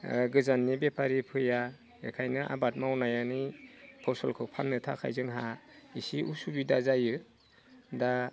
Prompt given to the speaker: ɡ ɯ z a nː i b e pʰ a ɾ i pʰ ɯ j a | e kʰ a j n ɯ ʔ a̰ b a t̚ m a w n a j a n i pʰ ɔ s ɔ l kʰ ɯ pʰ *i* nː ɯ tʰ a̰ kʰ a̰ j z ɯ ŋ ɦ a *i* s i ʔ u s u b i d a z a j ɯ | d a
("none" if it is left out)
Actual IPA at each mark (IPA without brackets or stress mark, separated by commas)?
a, i